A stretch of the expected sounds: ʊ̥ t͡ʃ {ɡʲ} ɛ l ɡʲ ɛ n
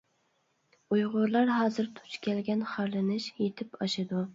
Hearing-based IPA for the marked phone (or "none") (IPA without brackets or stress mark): kʲ